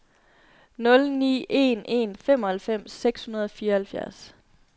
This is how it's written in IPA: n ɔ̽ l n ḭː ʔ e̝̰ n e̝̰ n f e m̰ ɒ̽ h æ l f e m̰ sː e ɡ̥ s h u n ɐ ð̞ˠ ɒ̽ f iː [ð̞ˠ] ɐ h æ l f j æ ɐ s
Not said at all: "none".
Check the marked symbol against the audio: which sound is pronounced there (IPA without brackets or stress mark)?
none